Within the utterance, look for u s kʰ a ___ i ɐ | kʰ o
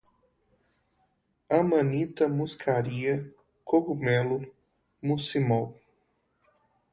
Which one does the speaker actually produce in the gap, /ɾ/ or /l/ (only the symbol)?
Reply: ɾ